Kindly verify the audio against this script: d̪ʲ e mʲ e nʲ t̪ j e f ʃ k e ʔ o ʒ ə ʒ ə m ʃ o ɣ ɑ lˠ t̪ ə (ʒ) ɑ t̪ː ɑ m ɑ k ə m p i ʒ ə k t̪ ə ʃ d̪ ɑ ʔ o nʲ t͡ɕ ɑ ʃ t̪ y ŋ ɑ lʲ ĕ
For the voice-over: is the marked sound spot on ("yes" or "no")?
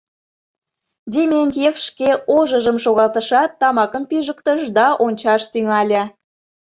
no